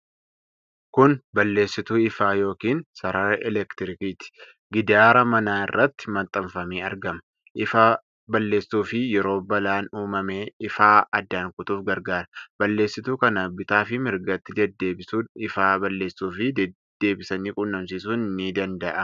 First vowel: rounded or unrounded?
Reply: rounded